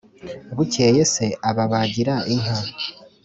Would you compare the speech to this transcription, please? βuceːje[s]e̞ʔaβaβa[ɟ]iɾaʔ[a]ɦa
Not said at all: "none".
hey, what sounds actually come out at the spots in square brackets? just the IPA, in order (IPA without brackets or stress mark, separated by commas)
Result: s, ɟ, i